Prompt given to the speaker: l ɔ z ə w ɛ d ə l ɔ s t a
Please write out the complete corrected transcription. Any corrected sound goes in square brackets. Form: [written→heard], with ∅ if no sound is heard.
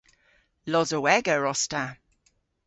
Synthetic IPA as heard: l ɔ z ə w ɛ [d→ɡ] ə [l→ɹ] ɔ s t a